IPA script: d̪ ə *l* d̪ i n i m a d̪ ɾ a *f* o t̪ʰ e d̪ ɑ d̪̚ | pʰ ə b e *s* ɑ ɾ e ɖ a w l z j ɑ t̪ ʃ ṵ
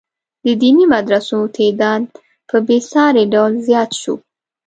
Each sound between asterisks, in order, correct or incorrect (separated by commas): incorrect, incorrect, correct